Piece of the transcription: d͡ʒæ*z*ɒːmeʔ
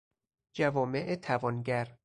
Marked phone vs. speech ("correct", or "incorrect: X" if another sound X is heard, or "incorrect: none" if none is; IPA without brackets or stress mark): incorrect: v